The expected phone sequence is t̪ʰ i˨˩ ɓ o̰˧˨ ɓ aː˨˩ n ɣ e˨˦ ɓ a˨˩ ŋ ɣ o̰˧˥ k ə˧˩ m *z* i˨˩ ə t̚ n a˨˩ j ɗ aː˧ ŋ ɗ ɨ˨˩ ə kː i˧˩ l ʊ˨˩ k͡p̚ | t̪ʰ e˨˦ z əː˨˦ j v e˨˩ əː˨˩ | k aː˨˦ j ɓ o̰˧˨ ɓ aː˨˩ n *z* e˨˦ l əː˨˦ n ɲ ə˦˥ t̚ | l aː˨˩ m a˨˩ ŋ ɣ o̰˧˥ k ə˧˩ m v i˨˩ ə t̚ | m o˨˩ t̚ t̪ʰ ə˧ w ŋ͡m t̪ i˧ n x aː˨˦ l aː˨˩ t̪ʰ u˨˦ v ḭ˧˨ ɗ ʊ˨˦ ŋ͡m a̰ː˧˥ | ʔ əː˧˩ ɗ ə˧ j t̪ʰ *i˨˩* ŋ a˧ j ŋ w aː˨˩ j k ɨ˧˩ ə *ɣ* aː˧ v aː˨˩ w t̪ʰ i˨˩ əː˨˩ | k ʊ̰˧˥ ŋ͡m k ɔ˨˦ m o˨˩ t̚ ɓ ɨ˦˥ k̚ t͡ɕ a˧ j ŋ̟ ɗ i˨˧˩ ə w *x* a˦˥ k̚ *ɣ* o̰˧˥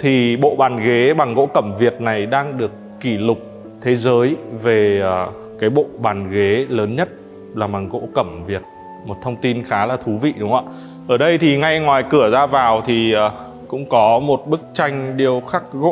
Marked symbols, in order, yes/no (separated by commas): no, no, yes, no, yes, yes